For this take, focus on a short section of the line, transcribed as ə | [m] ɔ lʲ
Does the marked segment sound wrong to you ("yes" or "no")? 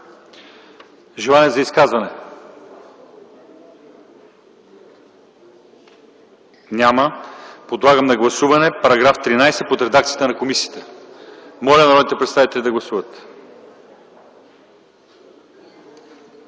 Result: no